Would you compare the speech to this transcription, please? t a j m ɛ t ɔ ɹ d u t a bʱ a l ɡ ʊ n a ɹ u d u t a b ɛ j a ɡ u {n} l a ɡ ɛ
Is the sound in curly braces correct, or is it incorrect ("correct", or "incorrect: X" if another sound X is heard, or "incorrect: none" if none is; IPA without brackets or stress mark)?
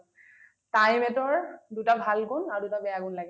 correct